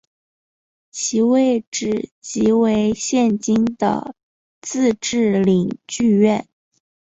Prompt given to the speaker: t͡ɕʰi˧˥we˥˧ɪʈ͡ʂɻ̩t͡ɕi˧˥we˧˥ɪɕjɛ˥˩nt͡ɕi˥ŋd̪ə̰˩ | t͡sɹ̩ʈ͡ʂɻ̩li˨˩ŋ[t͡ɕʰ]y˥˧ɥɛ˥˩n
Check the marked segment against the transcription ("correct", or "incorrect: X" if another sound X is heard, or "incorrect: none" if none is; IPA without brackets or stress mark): incorrect: t͡ɕ